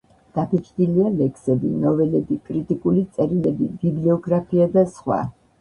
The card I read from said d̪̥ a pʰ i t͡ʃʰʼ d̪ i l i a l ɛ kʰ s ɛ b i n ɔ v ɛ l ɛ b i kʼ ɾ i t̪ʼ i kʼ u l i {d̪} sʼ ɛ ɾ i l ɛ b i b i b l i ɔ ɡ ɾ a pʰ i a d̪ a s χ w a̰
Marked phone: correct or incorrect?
incorrect